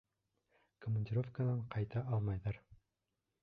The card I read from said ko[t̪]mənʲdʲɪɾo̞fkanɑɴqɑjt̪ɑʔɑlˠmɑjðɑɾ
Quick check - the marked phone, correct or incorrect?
incorrect